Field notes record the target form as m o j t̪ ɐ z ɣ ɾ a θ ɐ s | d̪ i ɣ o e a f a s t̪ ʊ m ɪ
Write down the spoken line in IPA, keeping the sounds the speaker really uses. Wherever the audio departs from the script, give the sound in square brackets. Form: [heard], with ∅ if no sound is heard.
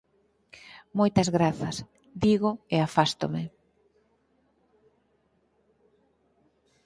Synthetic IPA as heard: m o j t̪ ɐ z ɣ ɾ a θ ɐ s | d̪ i ɣ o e a f a s t̪ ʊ m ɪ